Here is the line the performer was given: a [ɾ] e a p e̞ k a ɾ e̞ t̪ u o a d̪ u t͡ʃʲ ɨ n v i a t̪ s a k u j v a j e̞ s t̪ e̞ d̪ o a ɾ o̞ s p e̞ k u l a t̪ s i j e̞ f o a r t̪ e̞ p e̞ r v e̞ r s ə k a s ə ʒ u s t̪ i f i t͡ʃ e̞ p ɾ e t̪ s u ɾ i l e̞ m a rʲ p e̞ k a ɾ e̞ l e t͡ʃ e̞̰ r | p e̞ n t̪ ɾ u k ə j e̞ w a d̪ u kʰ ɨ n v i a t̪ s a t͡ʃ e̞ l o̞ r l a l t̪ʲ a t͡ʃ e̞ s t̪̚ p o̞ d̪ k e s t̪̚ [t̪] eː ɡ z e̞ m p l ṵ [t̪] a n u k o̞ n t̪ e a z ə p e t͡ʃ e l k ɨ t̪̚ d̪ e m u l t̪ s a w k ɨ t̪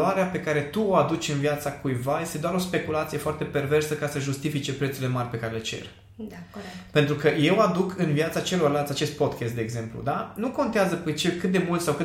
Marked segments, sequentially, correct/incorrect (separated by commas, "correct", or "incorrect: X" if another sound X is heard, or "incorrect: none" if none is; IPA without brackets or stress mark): correct, incorrect: d̪, incorrect: d̪